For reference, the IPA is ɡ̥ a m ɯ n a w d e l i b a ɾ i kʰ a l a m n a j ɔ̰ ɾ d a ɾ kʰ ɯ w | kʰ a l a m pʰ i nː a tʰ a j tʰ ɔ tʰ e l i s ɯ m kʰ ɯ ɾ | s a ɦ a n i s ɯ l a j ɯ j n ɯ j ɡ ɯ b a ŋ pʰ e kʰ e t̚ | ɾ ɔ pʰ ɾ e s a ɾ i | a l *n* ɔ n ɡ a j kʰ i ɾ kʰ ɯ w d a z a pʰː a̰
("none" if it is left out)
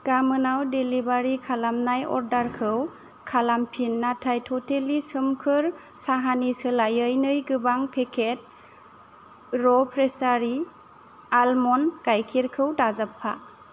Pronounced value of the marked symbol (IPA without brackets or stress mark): m